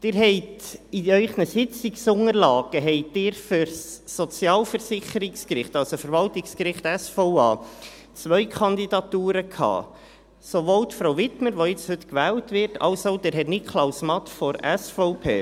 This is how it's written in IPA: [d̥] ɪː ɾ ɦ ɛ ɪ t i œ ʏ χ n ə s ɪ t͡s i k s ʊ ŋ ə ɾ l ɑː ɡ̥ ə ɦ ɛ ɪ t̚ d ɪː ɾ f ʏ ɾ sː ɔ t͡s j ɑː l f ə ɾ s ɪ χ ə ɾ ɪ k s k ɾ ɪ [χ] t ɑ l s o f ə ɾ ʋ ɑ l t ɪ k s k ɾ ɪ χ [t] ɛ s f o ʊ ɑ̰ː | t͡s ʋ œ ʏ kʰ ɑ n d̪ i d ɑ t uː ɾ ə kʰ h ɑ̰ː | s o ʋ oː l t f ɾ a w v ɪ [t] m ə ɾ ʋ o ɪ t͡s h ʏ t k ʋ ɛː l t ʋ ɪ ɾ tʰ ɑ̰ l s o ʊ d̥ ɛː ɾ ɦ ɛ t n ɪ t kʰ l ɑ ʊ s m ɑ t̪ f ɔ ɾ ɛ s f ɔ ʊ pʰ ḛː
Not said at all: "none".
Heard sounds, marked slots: d̥, χ, t, t

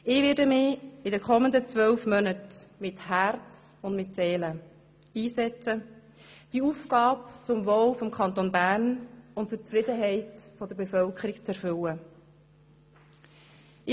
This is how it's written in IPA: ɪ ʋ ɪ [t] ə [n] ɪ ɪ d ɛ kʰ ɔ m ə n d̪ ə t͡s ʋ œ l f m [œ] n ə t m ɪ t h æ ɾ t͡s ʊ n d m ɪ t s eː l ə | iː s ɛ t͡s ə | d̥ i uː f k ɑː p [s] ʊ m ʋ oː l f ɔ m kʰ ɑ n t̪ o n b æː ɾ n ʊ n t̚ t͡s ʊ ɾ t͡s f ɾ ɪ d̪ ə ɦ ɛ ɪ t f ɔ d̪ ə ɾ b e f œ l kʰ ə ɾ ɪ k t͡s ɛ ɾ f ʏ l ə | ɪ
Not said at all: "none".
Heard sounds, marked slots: d, m, œ, t͡s

